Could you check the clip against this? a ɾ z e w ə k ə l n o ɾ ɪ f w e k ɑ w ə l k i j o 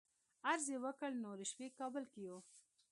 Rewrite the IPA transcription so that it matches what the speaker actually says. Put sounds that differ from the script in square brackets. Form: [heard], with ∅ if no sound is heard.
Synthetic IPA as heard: a ɾ z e w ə k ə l n o ɾ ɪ [ʃ] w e k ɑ [b] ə l k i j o